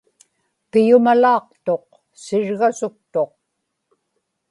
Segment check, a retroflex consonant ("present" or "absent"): present